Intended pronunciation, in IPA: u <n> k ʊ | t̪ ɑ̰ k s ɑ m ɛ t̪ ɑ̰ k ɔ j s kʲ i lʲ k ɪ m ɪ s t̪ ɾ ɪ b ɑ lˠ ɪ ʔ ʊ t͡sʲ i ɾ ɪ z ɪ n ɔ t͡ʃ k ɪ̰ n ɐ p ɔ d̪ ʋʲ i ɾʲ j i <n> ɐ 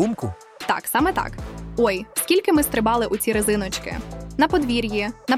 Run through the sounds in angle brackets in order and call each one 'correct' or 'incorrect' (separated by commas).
incorrect, correct